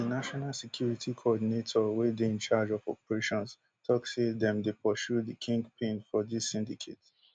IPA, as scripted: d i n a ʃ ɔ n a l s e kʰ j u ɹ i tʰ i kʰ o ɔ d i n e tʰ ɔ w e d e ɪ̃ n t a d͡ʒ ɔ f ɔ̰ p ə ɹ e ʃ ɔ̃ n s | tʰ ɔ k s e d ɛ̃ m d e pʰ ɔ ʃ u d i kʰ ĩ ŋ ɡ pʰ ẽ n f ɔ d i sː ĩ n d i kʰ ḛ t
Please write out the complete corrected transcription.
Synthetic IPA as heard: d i n a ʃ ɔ n a l s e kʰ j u ɹ i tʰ i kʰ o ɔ d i n e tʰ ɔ w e d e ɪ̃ n t͡ʃ a d͡ʒ ɔ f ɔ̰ p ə ɹ e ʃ ɔ̃ n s | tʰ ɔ k s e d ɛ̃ m d e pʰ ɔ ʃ u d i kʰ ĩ ŋ ɡ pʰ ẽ n f ɔ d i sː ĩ n d i kʰ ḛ t